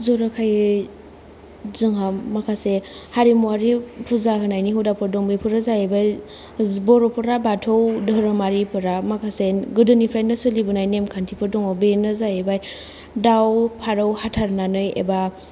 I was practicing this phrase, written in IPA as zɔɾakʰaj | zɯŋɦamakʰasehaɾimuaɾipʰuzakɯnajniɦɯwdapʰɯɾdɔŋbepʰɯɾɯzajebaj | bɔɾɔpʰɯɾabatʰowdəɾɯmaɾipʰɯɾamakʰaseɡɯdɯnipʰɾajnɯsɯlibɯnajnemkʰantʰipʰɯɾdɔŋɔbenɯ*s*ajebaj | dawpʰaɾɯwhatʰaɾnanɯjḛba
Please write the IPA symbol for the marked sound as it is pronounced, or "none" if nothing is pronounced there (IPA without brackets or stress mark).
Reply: z